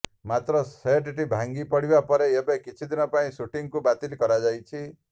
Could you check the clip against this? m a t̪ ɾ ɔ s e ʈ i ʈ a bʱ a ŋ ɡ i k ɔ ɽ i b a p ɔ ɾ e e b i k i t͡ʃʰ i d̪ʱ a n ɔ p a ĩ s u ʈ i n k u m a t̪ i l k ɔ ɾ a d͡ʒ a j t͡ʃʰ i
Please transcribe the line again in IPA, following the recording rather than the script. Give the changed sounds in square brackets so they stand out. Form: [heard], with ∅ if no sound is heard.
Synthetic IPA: m a t̪ ɾ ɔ s e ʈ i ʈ [i] bʱ a ŋ ɡ i [p] ɔ ɽ i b a p ɔ ɾ e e b [e] k i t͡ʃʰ i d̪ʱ [i] n ɔ p a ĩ s u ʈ i [ŋ] k u [b] a t̪ i l k ɔ ɾ a d͡ʒ a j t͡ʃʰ i